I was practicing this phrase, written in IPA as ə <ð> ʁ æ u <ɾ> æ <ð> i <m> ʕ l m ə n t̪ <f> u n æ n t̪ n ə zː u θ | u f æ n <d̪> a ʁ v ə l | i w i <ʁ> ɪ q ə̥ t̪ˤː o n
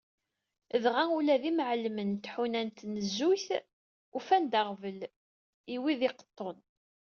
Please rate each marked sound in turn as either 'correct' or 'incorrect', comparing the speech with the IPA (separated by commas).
correct, incorrect, correct, correct, incorrect, correct, incorrect